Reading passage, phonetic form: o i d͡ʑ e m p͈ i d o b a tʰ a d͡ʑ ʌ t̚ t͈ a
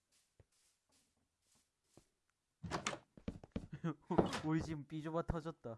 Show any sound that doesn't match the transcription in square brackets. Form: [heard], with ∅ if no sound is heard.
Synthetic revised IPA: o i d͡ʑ [i] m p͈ i [d͡ʑ] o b a tʰ [ʌ] d͡ʑ ʌ t̚ t͈ a